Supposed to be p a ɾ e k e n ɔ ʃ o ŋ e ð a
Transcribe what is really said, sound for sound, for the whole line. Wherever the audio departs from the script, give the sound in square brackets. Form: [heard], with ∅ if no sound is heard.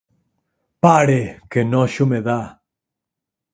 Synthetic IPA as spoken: p a ɾ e k e n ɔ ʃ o [m] e ð a